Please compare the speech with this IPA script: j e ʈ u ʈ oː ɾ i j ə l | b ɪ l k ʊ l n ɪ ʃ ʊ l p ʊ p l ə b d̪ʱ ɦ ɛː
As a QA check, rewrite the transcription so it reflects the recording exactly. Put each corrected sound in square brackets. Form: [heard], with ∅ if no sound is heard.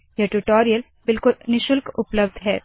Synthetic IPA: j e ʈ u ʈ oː ɾ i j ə l | b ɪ l k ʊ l n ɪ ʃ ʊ l [k] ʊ p l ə b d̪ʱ ɦ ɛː